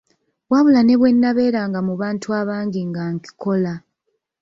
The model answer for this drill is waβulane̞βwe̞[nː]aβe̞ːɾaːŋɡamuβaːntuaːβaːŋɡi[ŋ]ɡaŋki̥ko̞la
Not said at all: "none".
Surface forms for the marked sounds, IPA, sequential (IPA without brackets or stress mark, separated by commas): nː, ŋ